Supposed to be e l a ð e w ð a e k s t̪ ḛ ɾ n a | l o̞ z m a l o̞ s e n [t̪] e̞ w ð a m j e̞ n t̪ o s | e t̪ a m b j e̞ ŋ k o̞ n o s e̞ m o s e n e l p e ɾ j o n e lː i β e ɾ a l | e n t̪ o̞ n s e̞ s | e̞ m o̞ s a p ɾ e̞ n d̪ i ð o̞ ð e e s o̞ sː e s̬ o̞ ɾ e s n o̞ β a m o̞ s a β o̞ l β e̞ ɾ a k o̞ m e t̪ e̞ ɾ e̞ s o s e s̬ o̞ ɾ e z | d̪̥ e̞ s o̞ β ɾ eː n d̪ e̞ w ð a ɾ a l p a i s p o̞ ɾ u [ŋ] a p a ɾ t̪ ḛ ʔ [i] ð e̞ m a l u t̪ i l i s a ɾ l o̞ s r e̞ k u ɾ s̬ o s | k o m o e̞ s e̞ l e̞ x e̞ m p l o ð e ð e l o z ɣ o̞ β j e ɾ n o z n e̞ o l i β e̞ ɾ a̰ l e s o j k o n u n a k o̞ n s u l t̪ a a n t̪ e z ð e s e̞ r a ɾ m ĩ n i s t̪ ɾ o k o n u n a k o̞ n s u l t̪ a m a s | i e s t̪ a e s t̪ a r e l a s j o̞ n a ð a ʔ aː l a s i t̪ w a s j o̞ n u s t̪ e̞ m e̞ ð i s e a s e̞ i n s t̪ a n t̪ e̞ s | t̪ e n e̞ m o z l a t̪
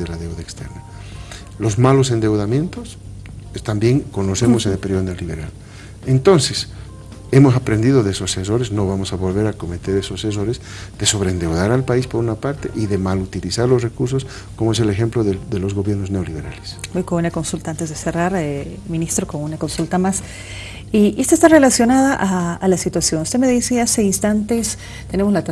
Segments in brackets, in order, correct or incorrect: incorrect, incorrect, correct

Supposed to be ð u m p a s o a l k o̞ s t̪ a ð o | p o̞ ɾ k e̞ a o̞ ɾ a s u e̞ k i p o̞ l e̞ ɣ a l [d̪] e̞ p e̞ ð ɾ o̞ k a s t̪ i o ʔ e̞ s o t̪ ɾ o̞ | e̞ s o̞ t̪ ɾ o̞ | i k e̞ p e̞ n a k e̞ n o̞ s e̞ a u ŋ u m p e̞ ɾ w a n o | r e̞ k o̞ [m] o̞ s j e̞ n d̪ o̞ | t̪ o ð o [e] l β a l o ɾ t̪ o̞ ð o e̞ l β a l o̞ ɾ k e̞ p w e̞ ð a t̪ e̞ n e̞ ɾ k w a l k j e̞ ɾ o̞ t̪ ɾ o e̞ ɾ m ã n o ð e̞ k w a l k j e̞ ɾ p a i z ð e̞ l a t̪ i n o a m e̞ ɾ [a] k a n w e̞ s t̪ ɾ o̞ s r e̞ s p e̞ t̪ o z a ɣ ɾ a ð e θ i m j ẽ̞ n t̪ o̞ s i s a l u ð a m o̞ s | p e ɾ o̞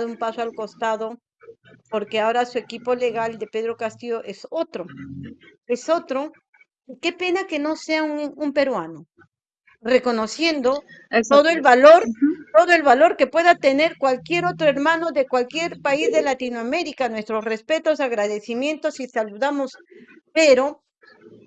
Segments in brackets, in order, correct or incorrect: correct, incorrect, correct, incorrect

